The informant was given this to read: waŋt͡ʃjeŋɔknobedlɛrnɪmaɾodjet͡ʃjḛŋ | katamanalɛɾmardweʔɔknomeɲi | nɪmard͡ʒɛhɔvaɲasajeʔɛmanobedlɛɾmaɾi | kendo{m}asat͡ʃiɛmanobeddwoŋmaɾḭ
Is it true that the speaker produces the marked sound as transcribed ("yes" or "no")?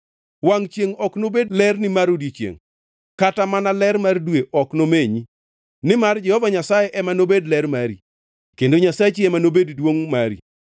no